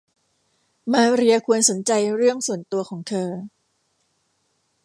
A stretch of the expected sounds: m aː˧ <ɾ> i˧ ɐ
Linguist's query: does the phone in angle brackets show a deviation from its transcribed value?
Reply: no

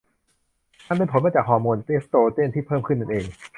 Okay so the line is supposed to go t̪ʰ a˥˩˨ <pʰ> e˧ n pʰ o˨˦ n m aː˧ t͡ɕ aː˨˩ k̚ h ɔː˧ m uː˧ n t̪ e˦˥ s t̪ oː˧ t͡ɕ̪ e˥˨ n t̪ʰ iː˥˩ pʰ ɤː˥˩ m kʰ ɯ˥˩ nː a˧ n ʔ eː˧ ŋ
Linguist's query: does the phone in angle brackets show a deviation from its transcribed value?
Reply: yes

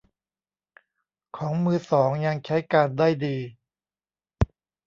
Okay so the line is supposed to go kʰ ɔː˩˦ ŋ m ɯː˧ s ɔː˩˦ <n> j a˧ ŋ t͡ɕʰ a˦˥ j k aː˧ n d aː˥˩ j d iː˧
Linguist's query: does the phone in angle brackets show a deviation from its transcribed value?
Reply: yes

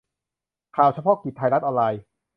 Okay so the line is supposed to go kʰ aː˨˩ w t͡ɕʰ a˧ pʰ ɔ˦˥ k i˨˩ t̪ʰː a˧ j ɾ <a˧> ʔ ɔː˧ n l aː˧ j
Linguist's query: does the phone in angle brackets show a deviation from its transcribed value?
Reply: yes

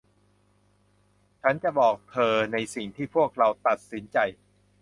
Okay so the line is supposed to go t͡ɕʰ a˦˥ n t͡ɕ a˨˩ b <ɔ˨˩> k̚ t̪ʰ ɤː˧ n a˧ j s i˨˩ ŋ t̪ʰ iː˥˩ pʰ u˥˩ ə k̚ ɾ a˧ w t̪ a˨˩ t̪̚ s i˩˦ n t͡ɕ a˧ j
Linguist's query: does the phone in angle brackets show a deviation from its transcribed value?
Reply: yes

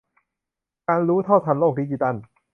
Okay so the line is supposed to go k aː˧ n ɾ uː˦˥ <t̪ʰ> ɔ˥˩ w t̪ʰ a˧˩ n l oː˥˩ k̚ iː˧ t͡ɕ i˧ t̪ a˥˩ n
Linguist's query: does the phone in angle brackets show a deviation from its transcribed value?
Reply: no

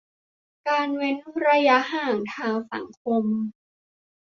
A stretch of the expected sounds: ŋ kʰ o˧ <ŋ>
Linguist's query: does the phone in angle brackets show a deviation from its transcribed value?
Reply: yes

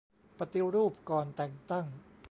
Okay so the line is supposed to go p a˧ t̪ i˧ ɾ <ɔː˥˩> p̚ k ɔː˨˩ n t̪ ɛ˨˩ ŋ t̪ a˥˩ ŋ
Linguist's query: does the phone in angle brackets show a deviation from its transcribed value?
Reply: yes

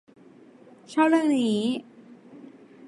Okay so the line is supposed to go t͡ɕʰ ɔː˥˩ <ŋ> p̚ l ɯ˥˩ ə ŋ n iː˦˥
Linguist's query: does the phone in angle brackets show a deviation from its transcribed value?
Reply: yes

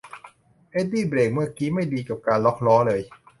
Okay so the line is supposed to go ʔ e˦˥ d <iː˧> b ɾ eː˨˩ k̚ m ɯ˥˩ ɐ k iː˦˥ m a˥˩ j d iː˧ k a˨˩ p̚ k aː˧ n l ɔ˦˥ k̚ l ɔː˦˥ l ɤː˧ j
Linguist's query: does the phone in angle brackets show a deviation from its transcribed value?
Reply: yes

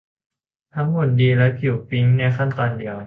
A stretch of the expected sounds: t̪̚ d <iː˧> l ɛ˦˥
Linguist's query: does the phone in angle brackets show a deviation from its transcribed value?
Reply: no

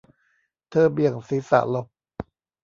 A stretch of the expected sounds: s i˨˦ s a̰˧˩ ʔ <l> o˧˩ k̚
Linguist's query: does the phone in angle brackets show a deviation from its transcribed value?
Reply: no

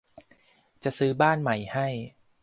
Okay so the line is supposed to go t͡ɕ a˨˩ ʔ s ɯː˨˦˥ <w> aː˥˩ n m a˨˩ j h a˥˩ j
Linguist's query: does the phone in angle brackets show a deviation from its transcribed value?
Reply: yes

